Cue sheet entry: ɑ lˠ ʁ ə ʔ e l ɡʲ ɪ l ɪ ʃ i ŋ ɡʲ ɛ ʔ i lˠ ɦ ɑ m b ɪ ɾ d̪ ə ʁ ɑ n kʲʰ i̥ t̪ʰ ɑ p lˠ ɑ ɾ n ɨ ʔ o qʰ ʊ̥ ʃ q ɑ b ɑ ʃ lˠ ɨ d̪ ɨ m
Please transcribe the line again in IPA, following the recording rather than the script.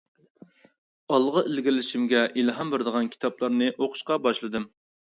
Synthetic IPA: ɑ lˠ ʁ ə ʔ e l ɡʲ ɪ l ɪ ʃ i m ɡʲ ɛ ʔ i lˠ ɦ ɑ m b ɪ ɾ d̪ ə ʁ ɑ n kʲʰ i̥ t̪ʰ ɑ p lˠ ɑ ɾ n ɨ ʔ o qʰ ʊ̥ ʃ q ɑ b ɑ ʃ lˠ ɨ d̪ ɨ m